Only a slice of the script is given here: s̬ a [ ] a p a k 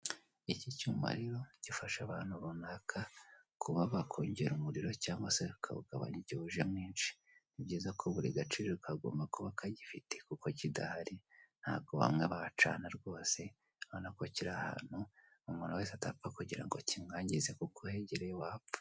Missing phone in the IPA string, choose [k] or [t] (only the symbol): t